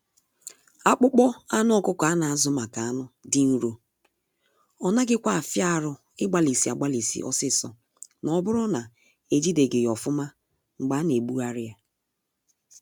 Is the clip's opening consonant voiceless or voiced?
voiceless